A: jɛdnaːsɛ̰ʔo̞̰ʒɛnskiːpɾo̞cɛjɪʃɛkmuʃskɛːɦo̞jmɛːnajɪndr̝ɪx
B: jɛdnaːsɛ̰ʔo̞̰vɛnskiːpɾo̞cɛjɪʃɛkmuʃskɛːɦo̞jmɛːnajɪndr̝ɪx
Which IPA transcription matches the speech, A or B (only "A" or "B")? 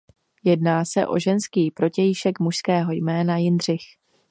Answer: A